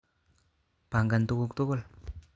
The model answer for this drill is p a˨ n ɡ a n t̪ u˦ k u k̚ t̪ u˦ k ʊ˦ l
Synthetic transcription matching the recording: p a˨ ŋ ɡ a n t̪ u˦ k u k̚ t̪ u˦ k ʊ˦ l